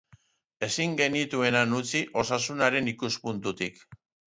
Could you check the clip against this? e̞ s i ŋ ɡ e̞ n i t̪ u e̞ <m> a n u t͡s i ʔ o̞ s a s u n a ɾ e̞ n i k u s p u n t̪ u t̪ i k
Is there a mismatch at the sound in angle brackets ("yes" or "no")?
yes